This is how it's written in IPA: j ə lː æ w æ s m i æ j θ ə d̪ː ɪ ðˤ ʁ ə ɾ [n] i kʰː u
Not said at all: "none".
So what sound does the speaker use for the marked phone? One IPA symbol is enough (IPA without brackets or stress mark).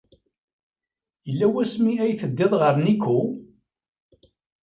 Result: n